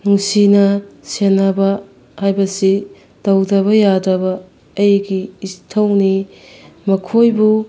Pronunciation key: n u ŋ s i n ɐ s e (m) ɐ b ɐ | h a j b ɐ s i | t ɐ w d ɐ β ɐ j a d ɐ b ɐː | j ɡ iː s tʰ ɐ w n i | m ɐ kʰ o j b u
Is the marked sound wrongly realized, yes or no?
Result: yes